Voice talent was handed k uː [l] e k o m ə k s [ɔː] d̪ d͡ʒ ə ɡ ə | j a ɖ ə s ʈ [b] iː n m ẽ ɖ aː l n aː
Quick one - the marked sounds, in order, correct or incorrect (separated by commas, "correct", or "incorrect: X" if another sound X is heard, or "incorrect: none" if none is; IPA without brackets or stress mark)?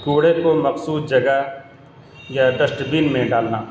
incorrect: ɽ, incorrect: uː, correct